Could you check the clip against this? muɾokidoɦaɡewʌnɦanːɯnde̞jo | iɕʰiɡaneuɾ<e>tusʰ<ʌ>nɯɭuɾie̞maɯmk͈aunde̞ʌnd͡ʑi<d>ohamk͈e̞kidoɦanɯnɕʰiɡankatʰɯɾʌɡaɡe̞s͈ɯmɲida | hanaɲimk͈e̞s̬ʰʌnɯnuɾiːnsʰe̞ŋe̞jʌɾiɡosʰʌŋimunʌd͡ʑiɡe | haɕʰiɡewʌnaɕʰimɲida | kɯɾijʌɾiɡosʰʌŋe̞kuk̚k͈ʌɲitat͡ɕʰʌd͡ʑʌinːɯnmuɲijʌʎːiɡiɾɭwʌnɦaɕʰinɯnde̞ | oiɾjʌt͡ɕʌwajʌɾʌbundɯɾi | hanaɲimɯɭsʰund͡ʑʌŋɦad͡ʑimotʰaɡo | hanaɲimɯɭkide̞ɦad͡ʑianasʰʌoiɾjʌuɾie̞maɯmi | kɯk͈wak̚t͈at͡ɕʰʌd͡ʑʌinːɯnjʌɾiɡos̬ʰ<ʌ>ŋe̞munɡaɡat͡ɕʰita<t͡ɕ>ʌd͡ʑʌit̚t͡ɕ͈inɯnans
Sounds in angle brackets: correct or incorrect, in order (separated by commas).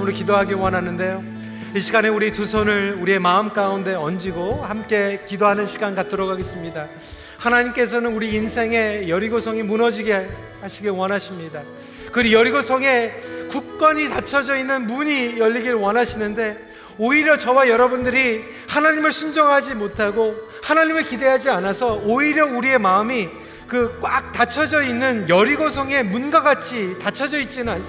incorrect, correct, incorrect, correct, incorrect